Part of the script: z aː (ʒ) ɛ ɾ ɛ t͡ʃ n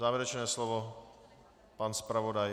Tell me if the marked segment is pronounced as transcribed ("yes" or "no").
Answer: no